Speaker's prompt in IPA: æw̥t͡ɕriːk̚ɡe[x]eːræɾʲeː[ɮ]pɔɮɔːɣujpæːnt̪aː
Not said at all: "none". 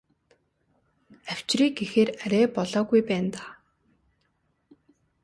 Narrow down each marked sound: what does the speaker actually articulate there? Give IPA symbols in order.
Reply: x, none

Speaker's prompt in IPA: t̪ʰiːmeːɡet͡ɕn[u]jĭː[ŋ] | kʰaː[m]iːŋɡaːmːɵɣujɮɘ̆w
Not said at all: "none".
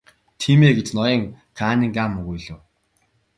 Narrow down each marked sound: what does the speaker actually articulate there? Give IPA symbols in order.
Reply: ɔ, ŋ, n

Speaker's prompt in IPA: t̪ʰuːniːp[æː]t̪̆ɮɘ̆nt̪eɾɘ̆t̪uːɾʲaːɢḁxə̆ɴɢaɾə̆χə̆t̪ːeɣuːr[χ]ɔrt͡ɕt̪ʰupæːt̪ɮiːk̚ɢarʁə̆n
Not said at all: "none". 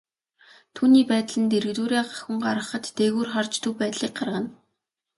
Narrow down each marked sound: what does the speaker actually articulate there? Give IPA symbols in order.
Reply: æː, χ

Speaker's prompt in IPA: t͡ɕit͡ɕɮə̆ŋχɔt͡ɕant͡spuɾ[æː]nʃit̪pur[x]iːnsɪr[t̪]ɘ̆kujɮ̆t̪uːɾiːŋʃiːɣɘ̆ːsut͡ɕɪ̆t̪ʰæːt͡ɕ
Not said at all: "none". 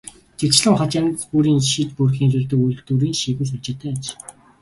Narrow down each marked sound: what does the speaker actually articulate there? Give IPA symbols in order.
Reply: iː, x, t̪

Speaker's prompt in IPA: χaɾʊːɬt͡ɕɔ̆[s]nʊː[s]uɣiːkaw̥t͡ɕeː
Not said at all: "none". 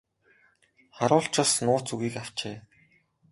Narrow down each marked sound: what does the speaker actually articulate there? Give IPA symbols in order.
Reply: s, t͡s

